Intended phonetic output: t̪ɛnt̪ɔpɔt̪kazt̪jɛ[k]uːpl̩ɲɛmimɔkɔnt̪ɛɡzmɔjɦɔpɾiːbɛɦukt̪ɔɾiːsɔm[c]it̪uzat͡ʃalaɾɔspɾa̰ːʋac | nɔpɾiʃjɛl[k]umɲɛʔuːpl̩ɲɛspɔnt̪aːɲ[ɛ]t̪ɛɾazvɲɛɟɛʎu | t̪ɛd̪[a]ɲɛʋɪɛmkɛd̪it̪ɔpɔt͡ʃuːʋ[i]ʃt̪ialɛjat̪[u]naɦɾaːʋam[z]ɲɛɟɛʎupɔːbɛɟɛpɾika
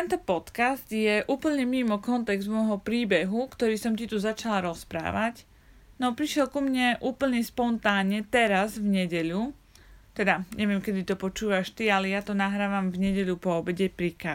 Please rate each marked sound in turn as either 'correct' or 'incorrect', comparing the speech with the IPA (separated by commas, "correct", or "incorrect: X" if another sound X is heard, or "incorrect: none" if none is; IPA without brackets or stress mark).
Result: incorrect: ʔ, correct, correct, correct, correct, incorrect: a, incorrect: ɔ, incorrect: v